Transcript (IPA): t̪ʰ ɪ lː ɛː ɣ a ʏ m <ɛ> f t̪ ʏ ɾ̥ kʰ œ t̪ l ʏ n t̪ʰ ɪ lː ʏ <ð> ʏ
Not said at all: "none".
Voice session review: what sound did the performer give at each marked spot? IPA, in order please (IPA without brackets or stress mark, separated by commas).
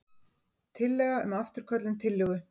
a, ɣ